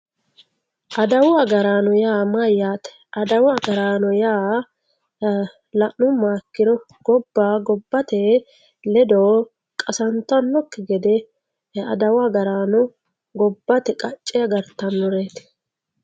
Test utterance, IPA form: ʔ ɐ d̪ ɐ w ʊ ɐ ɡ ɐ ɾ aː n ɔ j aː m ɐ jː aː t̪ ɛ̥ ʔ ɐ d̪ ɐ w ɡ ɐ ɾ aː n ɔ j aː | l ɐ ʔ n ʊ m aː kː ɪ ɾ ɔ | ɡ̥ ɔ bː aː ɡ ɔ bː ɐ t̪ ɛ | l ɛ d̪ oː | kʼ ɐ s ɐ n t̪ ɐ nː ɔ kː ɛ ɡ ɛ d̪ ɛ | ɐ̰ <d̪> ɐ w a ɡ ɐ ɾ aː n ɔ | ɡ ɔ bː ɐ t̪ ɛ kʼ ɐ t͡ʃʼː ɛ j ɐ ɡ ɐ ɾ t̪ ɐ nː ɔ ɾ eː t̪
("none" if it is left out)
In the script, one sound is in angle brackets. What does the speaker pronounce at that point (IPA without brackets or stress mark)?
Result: d̪